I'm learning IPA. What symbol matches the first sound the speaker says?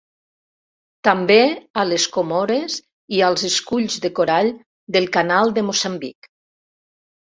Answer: t̪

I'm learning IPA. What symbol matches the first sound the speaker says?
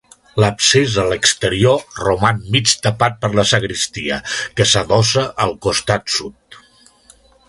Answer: l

